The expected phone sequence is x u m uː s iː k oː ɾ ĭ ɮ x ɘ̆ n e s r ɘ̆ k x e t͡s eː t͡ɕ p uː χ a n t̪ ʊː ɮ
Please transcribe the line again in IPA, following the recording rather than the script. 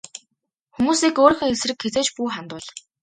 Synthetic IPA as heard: x u m uː s iː k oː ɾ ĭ x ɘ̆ ŋ e s r ɘ̆ k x e t͡s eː t͡ɕ p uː χ a n t̪ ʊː ɮ